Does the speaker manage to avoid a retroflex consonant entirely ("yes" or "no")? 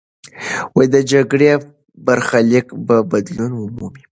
no